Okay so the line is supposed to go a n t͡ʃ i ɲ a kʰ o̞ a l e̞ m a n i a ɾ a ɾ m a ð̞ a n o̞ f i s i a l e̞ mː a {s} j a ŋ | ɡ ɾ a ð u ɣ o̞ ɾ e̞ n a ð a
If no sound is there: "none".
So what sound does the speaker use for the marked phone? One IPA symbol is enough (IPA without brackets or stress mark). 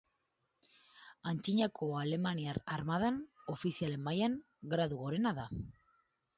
none